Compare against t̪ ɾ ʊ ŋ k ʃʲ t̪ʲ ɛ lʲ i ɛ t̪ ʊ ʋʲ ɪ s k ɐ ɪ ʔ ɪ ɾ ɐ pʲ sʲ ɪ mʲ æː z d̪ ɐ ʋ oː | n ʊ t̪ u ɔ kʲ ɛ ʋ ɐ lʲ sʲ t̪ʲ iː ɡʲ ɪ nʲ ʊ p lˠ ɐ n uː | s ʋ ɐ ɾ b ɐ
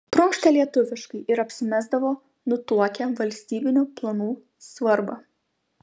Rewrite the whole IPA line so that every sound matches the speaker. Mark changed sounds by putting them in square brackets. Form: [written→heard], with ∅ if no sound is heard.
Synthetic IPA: t̪ ɾ ʊ ŋ k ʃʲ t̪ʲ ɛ lʲ i ɛ t̪ ʊ ʋʲ ɪ [s→ʃ] k ɐ ɪ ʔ ɪ ɾ ɐ pʲ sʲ ɪ mʲ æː z d̪ ɐ ʋ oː | n ʊ t̪ u ɔ kʲ ɛ ʋ ɐ lʲ sʲ t̪ʲ iː [ɡʲ→bʲ] ɪ nʲ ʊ p lˠ ɐ n uː | s ʋ ɐ ɾ b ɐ